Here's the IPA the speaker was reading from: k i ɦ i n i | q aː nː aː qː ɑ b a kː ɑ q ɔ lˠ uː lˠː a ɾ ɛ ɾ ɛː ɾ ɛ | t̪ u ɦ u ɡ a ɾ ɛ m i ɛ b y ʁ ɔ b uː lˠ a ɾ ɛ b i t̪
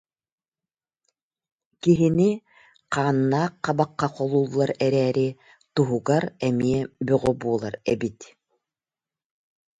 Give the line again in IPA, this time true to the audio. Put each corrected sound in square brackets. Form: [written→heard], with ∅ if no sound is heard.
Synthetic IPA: k i ɦ i n i | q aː nː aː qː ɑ b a [kː→qː] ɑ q ɔ lˠ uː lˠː a ɾ ɛ ɾ ɛː ɾ [ɛ→i] | t̪ u ɦ u ɡ a ɾ ɛ m i ɛ b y ʁ ɔ b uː lˠ a ɾ ɛ b i t̪